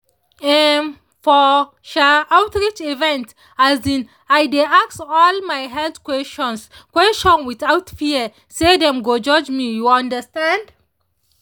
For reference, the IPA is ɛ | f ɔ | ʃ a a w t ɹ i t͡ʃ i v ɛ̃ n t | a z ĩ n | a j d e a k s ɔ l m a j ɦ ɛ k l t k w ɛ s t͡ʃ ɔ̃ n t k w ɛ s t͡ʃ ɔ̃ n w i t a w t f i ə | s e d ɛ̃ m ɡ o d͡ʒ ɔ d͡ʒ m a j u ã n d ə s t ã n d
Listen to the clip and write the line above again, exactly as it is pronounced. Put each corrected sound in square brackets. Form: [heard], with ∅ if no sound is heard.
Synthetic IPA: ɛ | f ɔ | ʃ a a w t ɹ i t͡ʃ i v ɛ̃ n t | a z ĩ n | a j d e a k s ɔ l m a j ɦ ɛ [∅] l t k w ɛ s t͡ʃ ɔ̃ n [s] k w ɛ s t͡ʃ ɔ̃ n w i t a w t f i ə | s e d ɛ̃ m ɡ o d͡ʒ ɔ d͡ʒ m [i] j u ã n d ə s t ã n d